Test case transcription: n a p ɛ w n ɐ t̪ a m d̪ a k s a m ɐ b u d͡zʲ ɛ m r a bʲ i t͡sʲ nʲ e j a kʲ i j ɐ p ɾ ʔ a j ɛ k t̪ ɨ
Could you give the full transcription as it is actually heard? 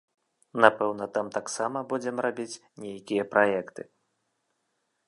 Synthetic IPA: n a p ɛ w n ɐ t̪ a m t̪ a k s a m ɐ b u d͡zʲ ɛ m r a bʲ i t͡sʲ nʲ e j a kʲ i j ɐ p ɾ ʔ a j ɛ k t̪ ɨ